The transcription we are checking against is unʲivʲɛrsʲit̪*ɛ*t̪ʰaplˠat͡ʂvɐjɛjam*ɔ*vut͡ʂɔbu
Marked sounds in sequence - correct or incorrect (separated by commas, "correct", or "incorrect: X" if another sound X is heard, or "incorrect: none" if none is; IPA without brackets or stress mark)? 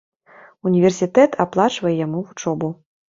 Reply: correct, incorrect: u